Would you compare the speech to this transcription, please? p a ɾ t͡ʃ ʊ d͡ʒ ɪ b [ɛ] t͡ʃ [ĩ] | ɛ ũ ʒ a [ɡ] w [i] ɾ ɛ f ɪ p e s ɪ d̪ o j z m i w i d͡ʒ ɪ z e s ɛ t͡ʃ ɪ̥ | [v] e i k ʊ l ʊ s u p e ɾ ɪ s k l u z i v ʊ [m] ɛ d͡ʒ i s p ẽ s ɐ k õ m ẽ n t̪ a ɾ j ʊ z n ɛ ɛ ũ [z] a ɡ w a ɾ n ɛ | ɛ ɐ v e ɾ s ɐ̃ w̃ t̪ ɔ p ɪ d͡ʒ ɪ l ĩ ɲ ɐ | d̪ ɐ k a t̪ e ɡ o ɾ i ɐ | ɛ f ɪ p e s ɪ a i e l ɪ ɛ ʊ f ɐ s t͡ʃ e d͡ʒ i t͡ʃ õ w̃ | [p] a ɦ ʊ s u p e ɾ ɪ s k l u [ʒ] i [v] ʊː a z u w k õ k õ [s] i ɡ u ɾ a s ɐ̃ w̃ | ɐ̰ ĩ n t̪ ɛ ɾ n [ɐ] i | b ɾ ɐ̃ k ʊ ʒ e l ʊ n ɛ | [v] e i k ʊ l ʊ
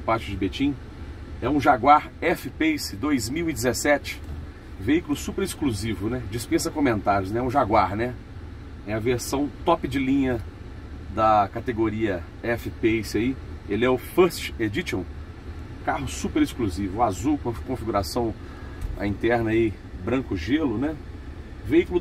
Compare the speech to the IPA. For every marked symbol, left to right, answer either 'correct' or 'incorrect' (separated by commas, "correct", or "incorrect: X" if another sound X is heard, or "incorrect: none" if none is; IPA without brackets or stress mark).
incorrect: e, correct, correct, incorrect: a, correct, incorrect: n, incorrect: ʒ, incorrect: k, incorrect: z, correct, incorrect: f, correct, correct